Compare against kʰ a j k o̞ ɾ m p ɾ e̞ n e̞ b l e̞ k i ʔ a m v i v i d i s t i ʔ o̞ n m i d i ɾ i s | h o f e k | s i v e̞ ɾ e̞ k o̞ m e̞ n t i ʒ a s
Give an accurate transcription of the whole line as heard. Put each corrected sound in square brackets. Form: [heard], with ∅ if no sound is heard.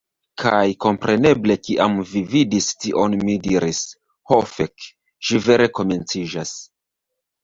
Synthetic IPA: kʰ a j k o̞ [∅] m p ɾ e̞ n e̞ b l e̞ k i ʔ a m v i v i d i s t i ʔ o̞ n m i d i ɾ i s | h o f e k | [ʃ] i v e̞ ɾ e̞ k o̞ m e̞ n [t͡s] i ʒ a s